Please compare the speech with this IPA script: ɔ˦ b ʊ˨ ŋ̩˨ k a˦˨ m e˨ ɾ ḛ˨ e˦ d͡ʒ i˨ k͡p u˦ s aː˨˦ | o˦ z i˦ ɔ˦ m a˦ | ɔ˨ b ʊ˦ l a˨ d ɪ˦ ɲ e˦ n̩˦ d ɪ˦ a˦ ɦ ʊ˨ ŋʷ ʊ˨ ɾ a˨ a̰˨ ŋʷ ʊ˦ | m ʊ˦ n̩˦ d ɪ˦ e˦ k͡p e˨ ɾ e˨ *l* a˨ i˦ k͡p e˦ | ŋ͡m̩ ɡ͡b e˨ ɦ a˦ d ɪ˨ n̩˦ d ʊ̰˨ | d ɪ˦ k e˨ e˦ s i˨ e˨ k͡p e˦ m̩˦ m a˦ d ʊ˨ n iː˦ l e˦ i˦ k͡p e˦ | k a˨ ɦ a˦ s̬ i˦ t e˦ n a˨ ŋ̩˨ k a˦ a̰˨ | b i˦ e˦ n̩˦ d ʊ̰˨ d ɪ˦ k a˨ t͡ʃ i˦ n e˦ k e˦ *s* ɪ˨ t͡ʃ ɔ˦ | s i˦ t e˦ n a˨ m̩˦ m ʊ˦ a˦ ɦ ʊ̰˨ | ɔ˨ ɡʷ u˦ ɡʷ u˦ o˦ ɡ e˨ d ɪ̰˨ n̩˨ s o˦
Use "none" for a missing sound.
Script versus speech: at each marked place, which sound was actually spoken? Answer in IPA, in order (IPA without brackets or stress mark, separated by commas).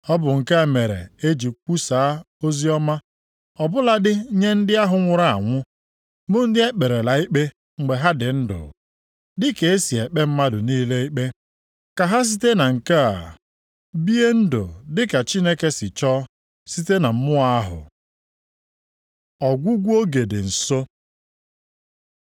l, s